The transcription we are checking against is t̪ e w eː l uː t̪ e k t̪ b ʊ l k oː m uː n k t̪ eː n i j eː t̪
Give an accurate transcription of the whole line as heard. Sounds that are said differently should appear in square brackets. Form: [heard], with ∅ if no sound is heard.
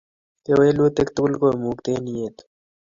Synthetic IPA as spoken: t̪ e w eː l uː t̪ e k t̪ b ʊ l k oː m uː [∅] k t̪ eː n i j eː t̪